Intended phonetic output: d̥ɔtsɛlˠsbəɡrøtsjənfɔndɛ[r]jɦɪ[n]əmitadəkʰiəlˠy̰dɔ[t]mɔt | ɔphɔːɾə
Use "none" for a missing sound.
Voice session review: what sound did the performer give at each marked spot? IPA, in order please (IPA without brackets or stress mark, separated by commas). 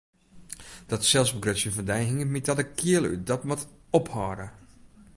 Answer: none, ŋ, t